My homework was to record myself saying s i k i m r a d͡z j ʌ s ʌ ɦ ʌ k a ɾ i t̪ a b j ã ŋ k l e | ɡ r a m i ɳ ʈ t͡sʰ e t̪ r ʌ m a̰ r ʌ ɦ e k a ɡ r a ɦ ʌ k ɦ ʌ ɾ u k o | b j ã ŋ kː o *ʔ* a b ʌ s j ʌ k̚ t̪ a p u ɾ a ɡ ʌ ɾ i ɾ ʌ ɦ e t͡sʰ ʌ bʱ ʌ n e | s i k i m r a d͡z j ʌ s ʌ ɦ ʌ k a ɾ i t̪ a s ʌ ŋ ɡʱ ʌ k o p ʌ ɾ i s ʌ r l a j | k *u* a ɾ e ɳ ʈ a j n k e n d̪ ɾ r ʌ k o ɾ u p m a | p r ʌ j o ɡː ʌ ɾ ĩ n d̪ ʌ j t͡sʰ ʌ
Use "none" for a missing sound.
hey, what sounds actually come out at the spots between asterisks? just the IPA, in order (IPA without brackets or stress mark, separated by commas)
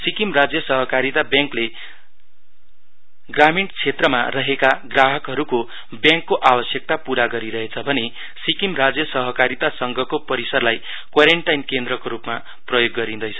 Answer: ʔ, w